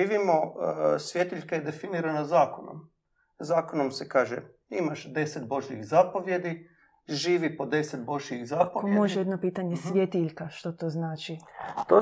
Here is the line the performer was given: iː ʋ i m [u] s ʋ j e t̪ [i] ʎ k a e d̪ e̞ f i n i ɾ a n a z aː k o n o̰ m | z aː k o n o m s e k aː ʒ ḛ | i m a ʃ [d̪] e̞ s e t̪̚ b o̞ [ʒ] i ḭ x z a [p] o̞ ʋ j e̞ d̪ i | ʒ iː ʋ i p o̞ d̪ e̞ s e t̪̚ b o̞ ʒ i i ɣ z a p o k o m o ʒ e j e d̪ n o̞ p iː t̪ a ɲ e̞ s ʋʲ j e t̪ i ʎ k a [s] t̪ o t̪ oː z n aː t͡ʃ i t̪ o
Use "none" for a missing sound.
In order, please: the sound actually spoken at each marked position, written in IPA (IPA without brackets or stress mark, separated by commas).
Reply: o, i, d̪, ʒ, p, ʃ